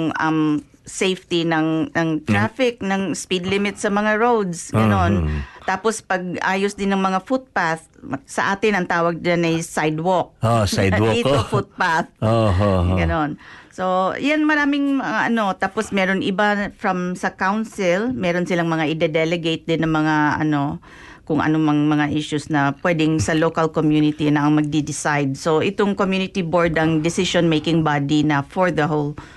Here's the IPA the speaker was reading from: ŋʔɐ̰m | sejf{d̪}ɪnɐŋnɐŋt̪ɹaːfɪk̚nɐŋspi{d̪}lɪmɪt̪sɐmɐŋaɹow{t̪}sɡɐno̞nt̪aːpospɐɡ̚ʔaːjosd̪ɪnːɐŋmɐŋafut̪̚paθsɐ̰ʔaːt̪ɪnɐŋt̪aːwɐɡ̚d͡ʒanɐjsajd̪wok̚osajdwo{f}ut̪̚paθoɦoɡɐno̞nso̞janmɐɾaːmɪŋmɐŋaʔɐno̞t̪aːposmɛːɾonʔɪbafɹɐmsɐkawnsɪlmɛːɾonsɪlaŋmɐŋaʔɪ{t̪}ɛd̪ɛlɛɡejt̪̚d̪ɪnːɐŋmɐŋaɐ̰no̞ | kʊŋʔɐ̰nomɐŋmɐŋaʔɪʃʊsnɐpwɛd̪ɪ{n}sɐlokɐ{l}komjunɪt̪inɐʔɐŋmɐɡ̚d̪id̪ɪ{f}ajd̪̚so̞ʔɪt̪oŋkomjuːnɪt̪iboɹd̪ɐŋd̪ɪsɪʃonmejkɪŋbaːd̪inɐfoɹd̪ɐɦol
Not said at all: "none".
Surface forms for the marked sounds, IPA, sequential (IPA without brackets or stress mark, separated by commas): t̪, d̪, d̪, f, d̪, ŋ, l, s